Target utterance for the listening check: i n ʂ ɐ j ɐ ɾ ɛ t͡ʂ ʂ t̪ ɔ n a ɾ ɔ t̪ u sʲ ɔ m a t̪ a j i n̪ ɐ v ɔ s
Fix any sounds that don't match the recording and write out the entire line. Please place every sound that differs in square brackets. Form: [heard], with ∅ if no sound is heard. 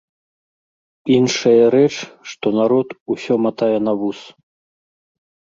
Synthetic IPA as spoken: i n ʂ ɐ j ɐ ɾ ɛ t͡ʂ ʂ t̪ ɔ n a ɾ ɔ t̪ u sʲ ɔ m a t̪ a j [ɛ] n̪ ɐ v [u] s